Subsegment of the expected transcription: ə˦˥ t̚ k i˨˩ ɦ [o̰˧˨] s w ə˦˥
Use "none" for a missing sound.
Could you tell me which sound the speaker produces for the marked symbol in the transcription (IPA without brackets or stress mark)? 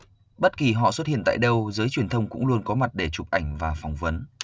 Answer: ɔ̰˧˨